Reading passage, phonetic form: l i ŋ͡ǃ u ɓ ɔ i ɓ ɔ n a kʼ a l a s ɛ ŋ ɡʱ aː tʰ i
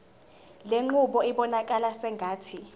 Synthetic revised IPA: l e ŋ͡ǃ u ɓ ɔ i ɓ ɔ n a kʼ a l a s ɛ ŋ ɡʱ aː tʰ i